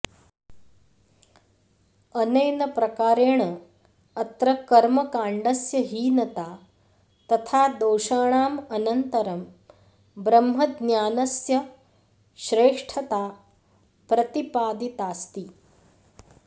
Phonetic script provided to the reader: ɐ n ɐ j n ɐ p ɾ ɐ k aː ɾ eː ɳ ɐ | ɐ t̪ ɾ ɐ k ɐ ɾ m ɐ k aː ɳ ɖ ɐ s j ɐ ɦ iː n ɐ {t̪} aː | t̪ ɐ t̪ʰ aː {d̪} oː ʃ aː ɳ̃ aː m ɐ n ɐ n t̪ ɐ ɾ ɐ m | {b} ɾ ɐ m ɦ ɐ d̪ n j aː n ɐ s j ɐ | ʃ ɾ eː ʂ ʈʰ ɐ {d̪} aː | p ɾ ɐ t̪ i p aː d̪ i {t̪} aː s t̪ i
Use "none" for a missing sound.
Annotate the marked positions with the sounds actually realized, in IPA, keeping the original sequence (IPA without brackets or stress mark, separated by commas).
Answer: t̪, d̪, b, t̪, t̪